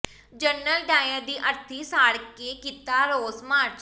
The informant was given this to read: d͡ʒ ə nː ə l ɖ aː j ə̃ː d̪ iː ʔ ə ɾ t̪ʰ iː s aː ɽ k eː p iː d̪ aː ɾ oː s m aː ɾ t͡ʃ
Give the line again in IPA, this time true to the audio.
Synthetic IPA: d͡ʒ ə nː ə l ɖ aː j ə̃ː d̪ iː ʔ ə ɾ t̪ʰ iː s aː ɽ k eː k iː t̪ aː ɾ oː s m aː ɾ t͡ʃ